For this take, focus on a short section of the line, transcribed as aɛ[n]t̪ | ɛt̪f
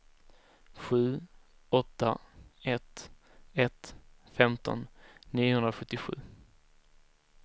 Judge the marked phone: incorrect: none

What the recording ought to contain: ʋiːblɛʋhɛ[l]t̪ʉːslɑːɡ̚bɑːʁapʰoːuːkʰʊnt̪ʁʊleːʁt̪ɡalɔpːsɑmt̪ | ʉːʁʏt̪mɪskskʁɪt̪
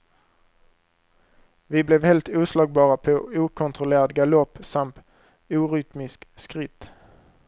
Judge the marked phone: correct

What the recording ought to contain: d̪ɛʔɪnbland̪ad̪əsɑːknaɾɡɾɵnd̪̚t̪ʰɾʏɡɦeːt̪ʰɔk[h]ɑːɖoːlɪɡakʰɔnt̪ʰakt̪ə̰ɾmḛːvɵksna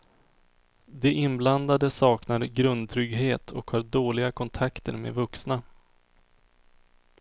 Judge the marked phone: correct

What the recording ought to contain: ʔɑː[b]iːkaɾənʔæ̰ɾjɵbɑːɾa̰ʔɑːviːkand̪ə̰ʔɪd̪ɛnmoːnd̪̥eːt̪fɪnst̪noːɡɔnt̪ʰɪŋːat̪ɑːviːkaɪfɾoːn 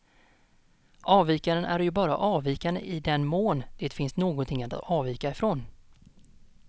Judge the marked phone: incorrect: v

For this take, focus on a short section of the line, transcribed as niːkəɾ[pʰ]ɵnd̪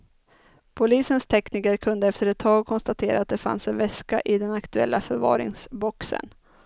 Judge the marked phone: incorrect: kʰ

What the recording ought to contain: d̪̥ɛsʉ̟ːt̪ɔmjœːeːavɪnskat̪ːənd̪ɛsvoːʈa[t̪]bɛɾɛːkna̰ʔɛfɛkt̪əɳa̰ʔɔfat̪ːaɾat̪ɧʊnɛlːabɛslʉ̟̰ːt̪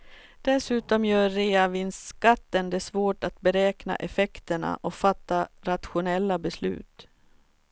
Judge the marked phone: correct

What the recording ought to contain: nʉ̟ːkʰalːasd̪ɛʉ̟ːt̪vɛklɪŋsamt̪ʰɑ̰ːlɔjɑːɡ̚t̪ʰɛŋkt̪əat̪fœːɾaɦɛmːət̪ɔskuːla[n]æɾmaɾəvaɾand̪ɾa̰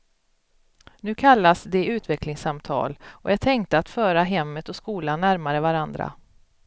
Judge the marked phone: incorrect: nː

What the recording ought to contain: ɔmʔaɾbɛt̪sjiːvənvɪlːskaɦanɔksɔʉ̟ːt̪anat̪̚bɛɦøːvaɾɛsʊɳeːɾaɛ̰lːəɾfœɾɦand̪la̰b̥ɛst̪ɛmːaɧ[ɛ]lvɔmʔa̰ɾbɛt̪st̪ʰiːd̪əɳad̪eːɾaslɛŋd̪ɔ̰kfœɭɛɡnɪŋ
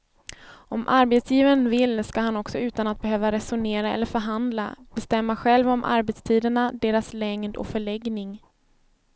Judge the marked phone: correct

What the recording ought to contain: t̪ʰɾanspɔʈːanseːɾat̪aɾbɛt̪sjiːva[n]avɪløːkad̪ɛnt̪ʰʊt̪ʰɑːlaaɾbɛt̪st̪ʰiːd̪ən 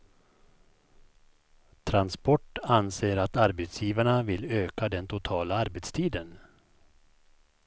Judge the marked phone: incorrect: ɳ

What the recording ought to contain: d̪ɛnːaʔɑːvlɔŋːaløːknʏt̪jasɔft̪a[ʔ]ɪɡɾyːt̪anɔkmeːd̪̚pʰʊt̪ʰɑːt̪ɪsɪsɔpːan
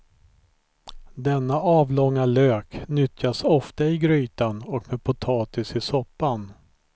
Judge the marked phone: incorrect: none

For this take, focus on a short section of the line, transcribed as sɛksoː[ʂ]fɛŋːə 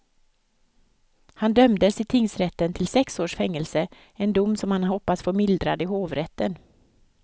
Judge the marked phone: correct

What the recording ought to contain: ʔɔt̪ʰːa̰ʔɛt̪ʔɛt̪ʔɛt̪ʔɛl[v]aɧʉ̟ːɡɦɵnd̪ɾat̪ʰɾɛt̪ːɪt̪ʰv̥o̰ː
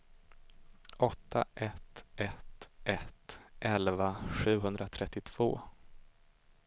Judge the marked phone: correct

